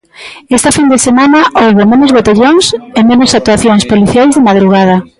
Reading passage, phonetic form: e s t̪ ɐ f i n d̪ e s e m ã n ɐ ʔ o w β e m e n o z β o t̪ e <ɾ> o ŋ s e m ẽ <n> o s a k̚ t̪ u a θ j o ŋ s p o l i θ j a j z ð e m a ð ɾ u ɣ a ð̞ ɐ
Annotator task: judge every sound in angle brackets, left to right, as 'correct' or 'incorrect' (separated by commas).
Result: incorrect, correct